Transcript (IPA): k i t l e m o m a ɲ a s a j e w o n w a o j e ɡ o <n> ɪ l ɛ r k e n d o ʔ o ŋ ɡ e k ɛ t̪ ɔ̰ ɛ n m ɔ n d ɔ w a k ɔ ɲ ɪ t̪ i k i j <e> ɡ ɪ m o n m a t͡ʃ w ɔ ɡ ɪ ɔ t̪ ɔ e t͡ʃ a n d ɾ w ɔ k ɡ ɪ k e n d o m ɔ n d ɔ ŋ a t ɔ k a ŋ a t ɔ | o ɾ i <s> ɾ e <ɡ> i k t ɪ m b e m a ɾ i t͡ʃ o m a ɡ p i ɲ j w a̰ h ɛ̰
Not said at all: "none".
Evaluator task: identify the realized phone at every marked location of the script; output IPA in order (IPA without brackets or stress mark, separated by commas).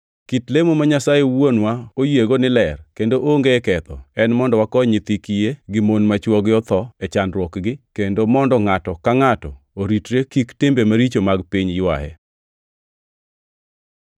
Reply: n, e, t, k